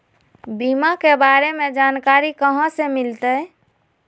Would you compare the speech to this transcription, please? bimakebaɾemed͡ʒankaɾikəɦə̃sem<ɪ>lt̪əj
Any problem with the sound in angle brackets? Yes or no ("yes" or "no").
yes